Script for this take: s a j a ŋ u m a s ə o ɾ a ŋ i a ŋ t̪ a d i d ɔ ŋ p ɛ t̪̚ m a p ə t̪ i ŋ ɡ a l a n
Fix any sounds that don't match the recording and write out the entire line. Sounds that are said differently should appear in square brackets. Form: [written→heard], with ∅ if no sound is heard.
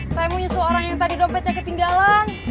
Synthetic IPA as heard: s a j a [ŋ→m] u [m→ɲ] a s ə o ɾ a ŋ [i→j] a ŋ t̪ a d i d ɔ [ŋ→m] p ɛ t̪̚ [m→ɲ] a [p→k] ə t̪ i ŋ ɡ a l a n